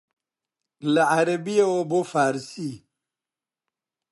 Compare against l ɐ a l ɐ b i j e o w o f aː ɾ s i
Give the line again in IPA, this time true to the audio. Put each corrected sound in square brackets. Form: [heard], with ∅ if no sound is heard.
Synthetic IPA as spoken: l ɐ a [ɾ] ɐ b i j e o [b] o f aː ɾ s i